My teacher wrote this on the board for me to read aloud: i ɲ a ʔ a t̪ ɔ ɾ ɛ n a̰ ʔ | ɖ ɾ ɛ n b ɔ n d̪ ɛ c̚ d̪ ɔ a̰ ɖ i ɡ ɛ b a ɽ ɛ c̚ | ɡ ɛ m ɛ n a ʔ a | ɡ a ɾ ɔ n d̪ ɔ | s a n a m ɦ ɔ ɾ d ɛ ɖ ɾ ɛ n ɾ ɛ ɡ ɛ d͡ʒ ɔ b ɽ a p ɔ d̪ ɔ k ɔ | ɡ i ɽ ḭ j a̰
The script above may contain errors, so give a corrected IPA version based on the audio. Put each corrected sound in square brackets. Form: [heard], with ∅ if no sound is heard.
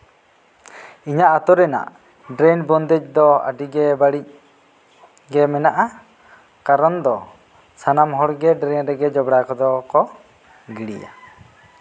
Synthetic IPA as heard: i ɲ a ʔ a t̪ ɔ ɾ ɛ n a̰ ʔ | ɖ ɾ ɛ n b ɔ n d̪ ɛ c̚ d̪ ɔ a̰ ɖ i ɡ ɛ b a ɽ [i] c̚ | ɡ ɛ m ɛ n a ʔ a | [k] a ɾ ɔ n d̪ ɔ | s a n a m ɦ ɔ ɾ [ɡ] ɛ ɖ ɾ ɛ n ɾ ɛ ɡ ɛ d͡ʒ ɔ b ɽ a [k] ɔ d̪ ɔ k ɔ | ɡ i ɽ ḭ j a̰

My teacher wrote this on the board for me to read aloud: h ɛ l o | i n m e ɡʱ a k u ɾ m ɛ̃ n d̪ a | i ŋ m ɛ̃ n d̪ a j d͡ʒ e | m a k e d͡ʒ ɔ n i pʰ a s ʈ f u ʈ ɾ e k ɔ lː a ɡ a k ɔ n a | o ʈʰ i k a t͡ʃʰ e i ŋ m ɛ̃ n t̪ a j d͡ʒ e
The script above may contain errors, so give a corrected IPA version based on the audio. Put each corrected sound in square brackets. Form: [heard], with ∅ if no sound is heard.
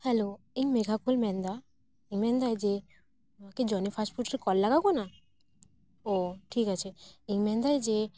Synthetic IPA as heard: h ɛ l o | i [ŋ] m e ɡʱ a k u [l] m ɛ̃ n d̪ a | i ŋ m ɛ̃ n d̪ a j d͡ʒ e | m a k e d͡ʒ ɔ n i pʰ a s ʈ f u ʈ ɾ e k ɔ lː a ɡ a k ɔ n a | o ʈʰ i k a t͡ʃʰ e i ŋ m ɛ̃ n [d̪] a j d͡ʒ e

